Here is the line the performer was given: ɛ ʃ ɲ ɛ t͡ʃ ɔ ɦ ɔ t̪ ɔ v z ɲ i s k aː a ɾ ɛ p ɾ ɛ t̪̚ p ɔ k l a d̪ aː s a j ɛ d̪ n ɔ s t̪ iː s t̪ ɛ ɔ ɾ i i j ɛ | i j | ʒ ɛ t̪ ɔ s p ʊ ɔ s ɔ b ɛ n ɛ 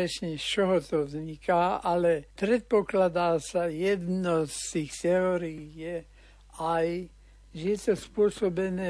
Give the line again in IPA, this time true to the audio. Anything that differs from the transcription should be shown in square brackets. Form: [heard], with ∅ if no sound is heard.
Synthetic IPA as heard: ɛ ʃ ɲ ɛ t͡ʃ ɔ ɦ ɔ t̪ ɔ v z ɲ i [∅] k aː a [l] ɛ p ɾ ɛ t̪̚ p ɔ k l a d̪ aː s a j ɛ d̪ n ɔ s t̪ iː [x] t̪ ɛ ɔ ɾ i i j ɛ | [a] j | ʒ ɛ t̪ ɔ s p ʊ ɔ s ɔ b ɛ n ɛ